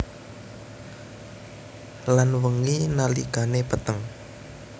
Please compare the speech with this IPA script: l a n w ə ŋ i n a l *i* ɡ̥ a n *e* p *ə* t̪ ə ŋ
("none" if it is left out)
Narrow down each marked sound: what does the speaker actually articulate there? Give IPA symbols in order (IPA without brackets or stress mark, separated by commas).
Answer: i, e, ə